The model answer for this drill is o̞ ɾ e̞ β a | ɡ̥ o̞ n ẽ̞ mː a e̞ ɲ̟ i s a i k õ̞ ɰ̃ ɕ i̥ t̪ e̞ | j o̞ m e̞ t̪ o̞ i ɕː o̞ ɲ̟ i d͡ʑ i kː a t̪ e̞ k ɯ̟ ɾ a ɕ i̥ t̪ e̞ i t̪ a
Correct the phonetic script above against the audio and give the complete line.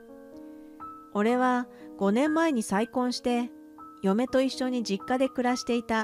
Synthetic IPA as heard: o̞ ɾ e̞ β a | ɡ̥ o̞ n ẽ̞ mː a e̞ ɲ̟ i s a i k õ̞ ɰ̃ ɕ i̥ t̪ e̞ | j o̞ m e̞ t̪ o̞ i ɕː o̞ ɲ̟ i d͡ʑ i kː a d̪ e̞ k ɯ̟ ɾ a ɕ i̥ t̪ e̞ i t̪ a